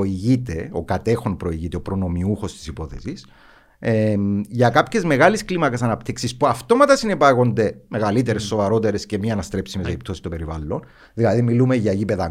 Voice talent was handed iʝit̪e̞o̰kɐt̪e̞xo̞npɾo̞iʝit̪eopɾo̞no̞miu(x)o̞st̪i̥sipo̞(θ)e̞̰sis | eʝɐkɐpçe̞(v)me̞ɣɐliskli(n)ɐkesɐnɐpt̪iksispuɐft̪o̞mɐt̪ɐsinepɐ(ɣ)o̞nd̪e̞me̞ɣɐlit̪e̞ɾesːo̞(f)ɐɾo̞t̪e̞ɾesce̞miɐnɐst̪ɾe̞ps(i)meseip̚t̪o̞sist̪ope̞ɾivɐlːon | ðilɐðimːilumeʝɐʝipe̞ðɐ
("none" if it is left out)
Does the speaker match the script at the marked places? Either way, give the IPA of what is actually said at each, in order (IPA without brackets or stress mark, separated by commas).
x, θ, z, m, ɣ, v, i